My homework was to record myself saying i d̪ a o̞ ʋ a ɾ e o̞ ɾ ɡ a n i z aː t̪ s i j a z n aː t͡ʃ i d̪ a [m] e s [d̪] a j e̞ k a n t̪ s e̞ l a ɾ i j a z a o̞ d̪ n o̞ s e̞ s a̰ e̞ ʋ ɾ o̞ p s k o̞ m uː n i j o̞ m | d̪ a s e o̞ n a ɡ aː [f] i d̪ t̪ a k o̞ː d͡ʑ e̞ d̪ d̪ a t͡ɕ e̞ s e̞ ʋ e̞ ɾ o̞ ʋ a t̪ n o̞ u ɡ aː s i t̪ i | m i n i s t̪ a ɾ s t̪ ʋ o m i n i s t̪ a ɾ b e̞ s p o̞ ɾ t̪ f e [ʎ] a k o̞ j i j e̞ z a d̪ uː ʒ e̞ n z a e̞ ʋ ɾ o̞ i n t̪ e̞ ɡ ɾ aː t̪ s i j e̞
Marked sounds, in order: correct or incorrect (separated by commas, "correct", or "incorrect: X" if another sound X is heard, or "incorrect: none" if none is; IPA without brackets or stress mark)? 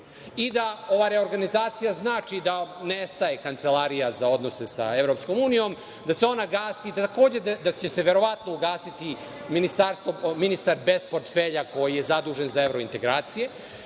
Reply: incorrect: n, incorrect: t̪, incorrect: s, correct